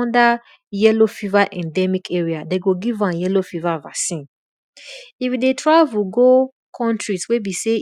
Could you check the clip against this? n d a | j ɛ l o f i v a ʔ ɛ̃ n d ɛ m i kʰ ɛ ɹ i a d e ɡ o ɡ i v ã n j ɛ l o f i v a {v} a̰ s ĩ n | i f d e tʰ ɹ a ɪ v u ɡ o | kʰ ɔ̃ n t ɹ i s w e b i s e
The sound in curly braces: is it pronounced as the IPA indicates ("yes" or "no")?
yes